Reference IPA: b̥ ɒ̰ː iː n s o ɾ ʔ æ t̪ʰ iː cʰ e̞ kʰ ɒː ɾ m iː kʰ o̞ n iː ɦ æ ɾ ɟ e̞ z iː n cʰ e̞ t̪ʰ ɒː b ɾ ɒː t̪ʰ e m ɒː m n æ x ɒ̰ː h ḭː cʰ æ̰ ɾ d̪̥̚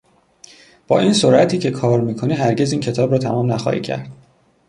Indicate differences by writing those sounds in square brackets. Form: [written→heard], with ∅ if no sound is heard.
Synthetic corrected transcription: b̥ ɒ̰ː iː n s o ɾ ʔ æ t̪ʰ iː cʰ e̞ kʰ ɒː ɾ m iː kʰ o̞ n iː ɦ æ ɾ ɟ e̞ z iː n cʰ e̞ t̪ʰ ɒː b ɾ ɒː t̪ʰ [e→æ] m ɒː m n æ x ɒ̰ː h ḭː cʰ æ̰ ɾ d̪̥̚